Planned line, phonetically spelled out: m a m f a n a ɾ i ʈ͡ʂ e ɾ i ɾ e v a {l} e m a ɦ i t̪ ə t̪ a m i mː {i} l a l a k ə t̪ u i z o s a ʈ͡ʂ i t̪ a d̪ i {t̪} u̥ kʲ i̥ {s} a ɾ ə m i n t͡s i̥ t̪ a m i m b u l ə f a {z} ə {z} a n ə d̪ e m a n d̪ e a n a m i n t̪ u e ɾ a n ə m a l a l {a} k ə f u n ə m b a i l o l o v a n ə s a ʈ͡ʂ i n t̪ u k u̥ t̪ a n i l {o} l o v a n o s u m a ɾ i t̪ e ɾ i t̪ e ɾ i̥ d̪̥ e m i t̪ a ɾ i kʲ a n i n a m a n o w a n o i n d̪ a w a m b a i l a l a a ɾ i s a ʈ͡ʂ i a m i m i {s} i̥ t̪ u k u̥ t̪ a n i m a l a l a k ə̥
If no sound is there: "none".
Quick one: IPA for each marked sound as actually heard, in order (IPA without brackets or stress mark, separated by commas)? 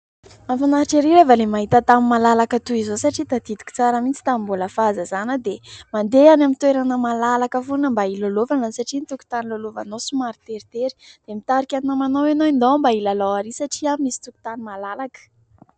l, a, d̪, t͡s, z, z, a, o, s